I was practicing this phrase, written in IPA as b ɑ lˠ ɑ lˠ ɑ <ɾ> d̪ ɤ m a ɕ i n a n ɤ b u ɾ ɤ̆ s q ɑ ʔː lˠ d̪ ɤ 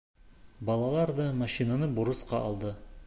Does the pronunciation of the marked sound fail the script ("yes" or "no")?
no